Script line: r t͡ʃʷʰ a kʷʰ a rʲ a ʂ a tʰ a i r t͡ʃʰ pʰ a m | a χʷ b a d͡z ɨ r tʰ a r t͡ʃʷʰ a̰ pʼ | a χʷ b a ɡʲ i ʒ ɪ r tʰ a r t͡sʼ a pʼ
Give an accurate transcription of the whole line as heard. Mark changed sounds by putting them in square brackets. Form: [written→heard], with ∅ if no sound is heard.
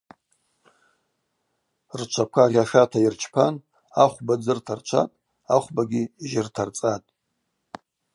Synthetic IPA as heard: r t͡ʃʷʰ a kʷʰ a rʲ a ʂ a tʰ a i r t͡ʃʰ pʰ a [m→n] | a χʷ b a d͡z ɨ r tʰ a r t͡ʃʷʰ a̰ [pʼ→tʼ] | a χʷ b a ɡʲ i ʒ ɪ r tʰ a r t͡sʼ a [pʼ→tʼ]